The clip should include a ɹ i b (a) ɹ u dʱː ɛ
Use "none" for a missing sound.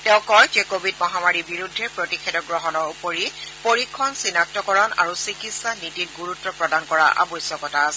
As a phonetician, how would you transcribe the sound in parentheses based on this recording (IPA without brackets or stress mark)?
i